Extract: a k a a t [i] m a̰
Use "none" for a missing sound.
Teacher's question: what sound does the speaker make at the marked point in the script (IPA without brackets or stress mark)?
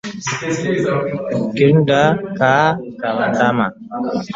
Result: a